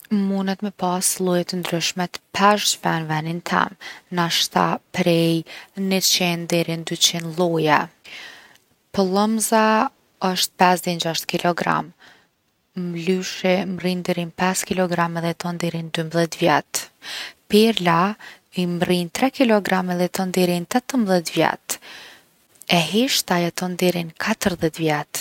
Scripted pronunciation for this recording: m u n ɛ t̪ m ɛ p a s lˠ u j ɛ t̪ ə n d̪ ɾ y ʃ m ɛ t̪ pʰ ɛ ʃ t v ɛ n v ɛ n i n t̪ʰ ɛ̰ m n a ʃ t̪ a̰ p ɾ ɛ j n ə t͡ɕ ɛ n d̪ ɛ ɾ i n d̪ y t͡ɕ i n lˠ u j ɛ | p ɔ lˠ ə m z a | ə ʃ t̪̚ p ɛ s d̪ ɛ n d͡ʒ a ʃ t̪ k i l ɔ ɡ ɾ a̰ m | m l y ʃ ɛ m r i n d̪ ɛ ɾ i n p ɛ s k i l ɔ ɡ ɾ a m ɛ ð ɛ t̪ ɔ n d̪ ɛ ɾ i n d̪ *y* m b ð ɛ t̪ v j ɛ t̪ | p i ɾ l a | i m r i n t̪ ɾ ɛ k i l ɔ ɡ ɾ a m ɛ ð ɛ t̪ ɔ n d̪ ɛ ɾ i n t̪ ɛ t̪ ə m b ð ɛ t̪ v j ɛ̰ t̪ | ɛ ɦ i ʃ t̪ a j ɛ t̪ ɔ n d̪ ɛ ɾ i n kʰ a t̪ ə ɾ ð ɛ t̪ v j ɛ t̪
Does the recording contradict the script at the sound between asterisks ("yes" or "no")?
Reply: no